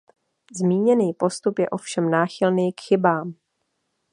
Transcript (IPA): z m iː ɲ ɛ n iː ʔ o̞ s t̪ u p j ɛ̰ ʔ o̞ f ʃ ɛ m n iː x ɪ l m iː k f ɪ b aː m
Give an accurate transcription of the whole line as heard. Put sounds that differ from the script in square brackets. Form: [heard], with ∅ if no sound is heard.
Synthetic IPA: z m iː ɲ ɛ n iː [p] o̞ s t̪ u p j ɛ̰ ʔ o̞ f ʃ ɛ m n [aː] x ɪ l [n] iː k [x] ɪ b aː m